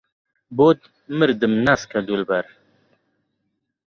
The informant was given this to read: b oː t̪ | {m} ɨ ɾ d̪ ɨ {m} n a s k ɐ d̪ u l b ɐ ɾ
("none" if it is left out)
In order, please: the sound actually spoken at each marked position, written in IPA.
m, m

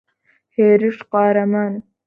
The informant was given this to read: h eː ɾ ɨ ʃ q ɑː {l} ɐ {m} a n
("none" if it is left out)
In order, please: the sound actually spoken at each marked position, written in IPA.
ɾ, m

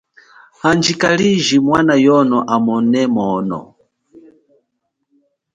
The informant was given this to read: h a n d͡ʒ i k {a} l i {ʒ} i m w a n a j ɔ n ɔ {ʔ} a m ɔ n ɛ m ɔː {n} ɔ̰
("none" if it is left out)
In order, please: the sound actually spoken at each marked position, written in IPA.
a, ʒ, ʔ, n

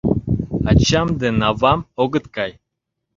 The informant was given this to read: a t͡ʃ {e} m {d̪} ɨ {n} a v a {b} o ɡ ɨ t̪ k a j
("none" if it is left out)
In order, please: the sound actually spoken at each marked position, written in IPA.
a, d̪, n, m

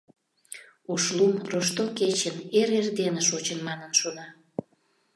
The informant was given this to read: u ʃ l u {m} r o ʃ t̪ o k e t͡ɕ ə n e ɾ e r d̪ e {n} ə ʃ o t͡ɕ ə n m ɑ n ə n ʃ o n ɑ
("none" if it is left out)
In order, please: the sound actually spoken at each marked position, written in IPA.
m, n

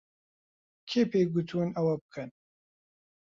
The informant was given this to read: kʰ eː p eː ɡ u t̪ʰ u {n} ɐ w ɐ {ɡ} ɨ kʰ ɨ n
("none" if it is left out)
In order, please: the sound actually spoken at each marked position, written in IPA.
n, b

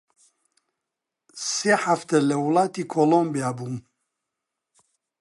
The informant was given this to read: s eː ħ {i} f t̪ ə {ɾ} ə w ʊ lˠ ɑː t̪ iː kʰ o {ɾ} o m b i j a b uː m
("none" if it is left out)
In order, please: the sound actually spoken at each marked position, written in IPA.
a, l, l

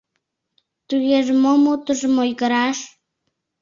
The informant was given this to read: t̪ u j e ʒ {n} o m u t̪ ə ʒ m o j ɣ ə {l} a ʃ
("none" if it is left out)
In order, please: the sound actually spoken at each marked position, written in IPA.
m, ɾ

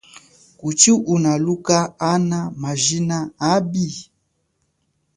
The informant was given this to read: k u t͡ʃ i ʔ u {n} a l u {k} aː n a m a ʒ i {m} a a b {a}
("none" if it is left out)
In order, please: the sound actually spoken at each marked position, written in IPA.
n, k, n, i

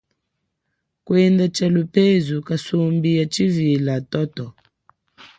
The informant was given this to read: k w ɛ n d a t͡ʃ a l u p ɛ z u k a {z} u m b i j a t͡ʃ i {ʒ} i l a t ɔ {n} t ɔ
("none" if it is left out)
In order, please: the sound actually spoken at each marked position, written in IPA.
s, v, none

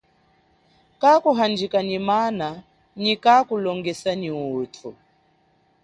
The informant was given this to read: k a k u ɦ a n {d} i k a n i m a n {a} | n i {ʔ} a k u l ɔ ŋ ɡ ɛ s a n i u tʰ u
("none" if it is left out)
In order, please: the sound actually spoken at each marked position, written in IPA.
d͡ʒ, a, k

